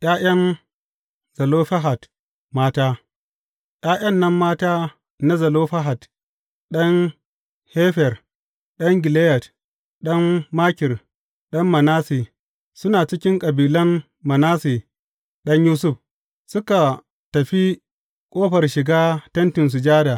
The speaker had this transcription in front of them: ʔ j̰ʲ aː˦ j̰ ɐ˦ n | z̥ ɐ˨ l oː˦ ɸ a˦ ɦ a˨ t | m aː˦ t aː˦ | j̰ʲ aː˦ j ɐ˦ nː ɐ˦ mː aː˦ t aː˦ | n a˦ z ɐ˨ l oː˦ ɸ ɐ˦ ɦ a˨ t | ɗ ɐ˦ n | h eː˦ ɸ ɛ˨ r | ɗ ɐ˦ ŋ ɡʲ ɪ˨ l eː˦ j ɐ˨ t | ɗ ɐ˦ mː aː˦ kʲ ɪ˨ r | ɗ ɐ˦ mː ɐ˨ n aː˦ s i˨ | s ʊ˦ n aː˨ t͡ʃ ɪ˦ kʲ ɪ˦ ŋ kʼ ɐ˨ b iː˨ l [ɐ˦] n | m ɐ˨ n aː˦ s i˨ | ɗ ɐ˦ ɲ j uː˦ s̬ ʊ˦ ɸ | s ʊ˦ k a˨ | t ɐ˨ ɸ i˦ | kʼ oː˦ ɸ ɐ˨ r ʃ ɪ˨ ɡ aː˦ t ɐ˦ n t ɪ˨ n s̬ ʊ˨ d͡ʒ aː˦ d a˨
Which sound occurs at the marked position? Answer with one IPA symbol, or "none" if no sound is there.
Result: ɐ˦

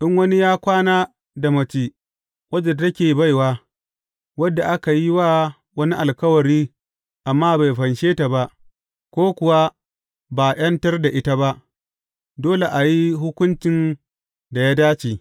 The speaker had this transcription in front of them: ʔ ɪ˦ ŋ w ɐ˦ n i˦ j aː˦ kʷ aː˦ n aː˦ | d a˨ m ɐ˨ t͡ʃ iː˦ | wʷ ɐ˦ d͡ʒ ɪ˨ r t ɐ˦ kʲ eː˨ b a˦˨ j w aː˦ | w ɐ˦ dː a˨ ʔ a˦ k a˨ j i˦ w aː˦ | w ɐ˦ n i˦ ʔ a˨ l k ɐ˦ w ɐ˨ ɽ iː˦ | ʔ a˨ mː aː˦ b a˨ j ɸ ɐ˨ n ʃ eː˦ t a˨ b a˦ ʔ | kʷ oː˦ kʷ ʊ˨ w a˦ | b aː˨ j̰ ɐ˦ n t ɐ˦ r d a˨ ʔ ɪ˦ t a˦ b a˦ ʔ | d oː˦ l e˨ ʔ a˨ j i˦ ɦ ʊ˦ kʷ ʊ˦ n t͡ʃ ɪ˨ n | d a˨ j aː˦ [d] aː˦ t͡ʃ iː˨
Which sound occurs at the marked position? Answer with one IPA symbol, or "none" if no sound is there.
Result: d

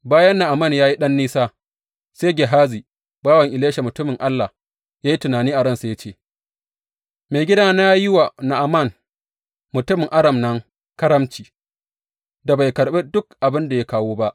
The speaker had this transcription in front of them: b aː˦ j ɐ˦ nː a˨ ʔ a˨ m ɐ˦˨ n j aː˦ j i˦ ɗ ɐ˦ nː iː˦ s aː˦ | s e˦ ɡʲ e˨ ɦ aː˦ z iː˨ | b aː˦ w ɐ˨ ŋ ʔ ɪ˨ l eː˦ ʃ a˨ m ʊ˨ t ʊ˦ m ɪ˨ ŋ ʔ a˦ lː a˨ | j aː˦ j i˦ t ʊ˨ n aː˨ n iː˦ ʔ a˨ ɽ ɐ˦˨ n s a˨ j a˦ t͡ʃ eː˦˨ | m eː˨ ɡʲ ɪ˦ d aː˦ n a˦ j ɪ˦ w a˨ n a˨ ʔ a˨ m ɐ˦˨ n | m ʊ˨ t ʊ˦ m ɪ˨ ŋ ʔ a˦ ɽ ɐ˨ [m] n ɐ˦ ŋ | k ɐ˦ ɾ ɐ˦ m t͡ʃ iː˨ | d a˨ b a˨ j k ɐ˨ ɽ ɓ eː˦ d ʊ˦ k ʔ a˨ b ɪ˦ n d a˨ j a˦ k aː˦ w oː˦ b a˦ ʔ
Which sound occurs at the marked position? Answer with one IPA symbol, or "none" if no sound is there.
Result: m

